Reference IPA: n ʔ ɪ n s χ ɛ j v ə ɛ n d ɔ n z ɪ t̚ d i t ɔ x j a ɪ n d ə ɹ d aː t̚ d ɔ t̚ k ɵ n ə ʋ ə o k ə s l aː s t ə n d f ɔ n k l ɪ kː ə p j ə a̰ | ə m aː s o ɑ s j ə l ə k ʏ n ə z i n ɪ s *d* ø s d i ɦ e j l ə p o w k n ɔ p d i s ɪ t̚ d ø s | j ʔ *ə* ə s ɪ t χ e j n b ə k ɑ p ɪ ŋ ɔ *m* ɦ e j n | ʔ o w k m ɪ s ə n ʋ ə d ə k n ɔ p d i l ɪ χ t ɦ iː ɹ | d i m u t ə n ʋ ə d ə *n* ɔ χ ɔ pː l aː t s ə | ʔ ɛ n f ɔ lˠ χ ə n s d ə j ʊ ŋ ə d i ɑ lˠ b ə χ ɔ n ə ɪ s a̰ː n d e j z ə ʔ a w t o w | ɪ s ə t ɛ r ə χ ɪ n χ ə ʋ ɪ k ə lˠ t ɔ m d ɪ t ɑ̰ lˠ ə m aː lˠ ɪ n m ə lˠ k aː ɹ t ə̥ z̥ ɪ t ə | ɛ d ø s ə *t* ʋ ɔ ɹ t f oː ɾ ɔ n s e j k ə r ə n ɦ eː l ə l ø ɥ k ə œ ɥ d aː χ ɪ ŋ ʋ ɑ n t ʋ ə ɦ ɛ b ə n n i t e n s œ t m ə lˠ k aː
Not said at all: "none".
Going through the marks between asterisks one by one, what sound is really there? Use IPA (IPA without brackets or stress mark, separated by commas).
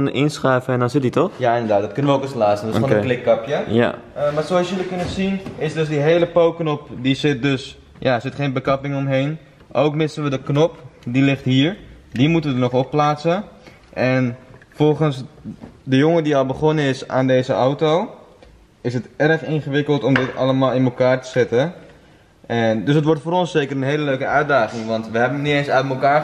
d, a, m, n, t